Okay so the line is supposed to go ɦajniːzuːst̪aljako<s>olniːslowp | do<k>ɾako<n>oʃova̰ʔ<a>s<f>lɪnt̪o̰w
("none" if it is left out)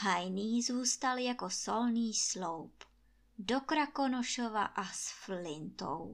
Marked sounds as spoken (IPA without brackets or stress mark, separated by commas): s, k, n, a, f